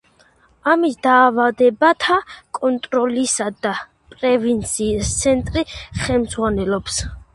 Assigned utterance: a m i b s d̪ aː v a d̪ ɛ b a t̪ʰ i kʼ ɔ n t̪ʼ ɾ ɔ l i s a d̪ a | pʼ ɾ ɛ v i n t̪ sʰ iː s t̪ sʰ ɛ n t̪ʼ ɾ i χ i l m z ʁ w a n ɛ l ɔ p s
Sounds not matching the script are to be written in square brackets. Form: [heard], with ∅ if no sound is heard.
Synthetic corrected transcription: a m i [∅] s d̪ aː v a d̪ ɛ b a t̪ʰ [a] kʼ ɔ n t̪ʼ ɾ ɔ l i s a d̪ a | pʼ ɾ ɛ v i n t̪ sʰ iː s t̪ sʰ ɛ n t̪ʼ ɾ i χ [ɛ] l m z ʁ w a n ɛ l ɔ p s